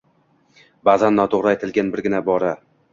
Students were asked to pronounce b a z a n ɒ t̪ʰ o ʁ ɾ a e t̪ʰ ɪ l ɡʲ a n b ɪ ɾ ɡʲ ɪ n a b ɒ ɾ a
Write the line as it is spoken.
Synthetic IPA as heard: b a z a nː ɒ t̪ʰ o ʁ ɾ a e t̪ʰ ɪ l ɡʲ a n b ɪ ɾ ɡʲ ɪ n a b ɒ ɾ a